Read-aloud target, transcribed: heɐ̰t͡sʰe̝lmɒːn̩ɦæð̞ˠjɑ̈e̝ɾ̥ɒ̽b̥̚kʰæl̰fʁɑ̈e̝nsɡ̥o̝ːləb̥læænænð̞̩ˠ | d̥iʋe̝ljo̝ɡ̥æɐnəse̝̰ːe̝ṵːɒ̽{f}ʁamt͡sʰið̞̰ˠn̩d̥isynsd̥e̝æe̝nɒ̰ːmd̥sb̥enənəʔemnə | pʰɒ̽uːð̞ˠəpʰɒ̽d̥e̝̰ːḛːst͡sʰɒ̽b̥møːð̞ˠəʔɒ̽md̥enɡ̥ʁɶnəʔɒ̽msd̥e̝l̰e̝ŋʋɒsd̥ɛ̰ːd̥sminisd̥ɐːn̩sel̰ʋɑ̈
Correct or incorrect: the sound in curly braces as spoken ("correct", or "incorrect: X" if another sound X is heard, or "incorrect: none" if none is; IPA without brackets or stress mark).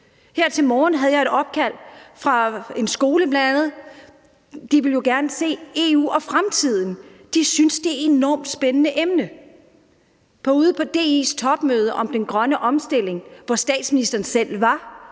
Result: correct